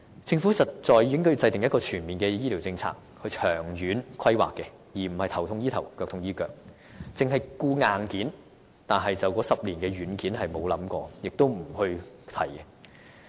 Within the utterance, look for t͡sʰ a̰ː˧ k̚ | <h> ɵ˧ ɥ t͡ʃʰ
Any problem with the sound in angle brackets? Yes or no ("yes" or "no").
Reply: no